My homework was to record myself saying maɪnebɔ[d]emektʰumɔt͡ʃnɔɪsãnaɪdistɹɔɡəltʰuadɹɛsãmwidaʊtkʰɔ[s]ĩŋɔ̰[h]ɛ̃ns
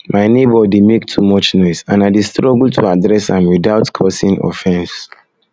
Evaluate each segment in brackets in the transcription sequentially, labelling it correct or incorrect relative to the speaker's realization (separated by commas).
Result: correct, correct, incorrect